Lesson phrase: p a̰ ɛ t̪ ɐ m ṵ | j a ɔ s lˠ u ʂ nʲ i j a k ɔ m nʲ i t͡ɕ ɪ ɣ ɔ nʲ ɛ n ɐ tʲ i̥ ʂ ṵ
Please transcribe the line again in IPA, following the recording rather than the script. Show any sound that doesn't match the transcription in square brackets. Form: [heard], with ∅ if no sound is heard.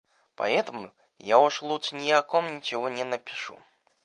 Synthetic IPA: p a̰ ɛ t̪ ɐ m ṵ | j a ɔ [ʂ] lˠ u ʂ nʲ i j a k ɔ m nʲ i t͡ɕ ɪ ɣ ɔ nʲ ɛ n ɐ [pʲ] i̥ ʂ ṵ